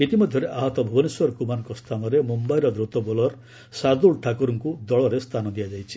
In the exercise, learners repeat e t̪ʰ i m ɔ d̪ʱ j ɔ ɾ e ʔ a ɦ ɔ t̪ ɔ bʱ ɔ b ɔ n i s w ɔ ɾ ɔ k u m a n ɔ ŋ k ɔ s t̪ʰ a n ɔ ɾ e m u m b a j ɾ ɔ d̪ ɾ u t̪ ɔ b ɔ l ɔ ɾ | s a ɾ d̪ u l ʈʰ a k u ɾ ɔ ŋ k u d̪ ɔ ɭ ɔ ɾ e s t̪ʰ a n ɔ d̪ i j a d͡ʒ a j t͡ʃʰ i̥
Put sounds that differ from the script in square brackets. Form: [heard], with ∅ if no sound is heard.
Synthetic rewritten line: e [t̪] i m ɔ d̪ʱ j ɔ ɾ e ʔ a ɦ ɔ t̪ ɔ bʱ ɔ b ɔ n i s w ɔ ɾ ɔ k u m a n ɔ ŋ k ɔ s t̪ʰ a n ɔ ɾ e m u m b a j ɾ ɔ d̪ ɾ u t̪ ɔ b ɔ l ɔ ɾ | s a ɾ d̪ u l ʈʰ a k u ɾ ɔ ŋ k u d̪ ɔ ɭ ɔ ɾ e s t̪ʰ a n ɔ d̪ i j a d͡ʒ a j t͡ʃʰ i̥